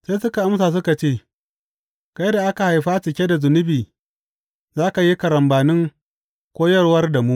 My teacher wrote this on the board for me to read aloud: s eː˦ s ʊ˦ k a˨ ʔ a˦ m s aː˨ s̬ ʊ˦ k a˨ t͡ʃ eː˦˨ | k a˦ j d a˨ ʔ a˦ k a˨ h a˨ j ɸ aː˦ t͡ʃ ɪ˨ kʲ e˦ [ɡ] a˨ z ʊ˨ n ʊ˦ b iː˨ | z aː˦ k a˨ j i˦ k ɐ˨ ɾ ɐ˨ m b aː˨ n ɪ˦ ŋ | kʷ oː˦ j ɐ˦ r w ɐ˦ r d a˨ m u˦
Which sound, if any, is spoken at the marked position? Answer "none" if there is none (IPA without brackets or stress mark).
d